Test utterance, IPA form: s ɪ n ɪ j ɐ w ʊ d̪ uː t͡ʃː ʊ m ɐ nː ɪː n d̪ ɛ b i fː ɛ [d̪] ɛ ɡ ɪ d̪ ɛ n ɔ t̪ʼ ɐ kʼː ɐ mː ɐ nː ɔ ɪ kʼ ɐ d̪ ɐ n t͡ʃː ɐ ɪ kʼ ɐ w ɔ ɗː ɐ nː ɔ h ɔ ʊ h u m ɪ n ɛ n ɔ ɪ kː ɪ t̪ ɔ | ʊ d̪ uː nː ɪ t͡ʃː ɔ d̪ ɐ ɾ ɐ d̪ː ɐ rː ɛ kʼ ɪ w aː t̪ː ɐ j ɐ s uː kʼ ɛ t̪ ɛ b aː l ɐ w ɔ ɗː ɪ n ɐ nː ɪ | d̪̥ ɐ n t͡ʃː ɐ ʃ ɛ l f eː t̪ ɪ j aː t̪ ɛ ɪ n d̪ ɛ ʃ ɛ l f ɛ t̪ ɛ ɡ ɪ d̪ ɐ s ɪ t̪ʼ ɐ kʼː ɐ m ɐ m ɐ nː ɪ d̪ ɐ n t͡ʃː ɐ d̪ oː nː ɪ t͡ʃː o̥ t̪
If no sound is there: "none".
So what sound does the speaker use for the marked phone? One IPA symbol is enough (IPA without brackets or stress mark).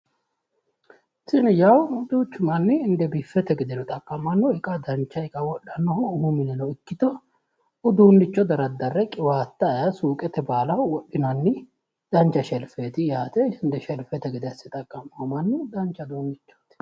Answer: t̪